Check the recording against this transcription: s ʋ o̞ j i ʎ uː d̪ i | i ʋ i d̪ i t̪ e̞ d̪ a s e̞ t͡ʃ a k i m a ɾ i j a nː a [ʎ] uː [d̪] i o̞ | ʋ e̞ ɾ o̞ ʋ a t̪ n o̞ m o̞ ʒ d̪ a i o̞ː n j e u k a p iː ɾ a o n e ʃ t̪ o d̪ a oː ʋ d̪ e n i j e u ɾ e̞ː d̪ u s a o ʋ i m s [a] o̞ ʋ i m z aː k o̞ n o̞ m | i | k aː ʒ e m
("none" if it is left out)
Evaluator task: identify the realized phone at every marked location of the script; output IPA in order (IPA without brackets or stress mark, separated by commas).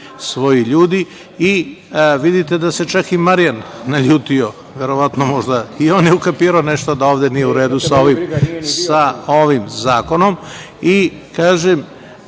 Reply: ʎ, t̪, a